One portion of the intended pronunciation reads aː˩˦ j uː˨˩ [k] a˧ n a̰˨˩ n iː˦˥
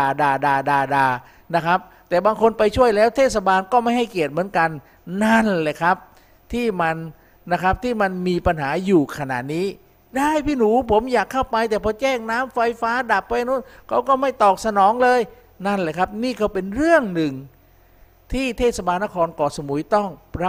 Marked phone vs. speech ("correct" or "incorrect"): incorrect